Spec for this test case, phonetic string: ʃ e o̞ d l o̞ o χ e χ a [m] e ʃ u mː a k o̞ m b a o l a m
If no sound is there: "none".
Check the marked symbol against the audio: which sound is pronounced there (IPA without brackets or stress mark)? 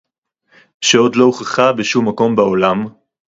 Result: b